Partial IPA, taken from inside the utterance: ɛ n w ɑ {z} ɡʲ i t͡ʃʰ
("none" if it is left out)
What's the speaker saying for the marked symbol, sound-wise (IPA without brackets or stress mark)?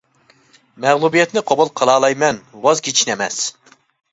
z